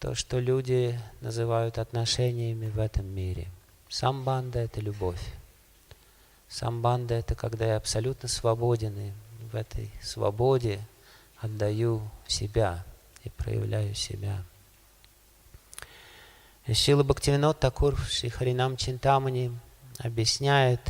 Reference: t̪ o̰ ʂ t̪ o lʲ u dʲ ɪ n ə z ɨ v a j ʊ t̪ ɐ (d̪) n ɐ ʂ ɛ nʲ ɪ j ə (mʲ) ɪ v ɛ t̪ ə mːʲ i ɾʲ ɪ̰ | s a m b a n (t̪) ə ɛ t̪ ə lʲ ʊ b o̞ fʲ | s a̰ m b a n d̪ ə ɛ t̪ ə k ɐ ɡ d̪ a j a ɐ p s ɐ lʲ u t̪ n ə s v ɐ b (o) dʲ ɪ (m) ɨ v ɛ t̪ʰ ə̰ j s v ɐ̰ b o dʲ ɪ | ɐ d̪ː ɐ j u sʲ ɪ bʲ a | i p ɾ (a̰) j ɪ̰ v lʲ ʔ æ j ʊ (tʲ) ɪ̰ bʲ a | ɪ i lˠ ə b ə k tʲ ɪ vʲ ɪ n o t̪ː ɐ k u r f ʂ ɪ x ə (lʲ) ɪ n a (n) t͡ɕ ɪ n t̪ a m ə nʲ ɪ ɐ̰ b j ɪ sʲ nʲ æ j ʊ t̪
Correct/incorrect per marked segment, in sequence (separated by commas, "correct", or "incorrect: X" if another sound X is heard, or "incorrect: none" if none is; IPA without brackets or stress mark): incorrect: t̪, correct, incorrect: d̪, correct, incorrect: n, incorrect: ə̰, incorrect: sʲ, incorrect: ɾʲ, incorrect: m